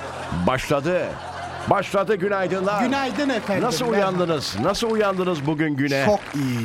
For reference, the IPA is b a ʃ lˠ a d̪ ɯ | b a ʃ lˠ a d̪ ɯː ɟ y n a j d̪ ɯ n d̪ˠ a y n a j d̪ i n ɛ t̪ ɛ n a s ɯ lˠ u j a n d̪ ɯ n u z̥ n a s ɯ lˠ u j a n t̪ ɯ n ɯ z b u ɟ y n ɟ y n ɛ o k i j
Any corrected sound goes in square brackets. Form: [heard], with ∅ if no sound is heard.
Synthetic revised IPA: b a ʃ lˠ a d̪ ɯ | b a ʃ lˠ a d̪ [ɯ] ɟ y n a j d̪ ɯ n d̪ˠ a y n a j d̪ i n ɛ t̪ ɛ n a s ɯ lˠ u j a n d̪ ɯ n [ɯ] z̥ n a s ɯ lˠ u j a n [d̪] ɯ n ɯ z b u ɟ y n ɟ y n ɛ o k i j